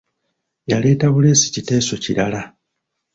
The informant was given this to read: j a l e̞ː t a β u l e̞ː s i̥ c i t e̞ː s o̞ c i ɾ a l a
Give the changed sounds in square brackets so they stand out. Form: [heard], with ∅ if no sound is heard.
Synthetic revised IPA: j a l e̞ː t a β u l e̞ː s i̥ c i t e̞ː s o̞ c i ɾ a l a